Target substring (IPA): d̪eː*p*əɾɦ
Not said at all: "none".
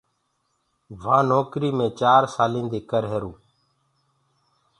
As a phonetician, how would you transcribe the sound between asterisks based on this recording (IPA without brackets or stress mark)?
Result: k